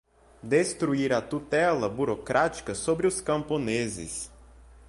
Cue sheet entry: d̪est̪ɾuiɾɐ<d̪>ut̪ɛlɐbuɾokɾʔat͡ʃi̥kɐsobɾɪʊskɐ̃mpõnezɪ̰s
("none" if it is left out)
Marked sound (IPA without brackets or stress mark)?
t̪